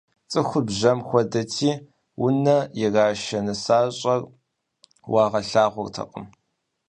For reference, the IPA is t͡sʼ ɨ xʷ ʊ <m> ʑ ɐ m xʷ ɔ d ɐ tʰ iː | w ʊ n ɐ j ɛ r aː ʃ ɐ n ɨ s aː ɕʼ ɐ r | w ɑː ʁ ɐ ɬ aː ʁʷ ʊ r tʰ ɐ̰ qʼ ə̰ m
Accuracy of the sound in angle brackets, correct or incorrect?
incorrect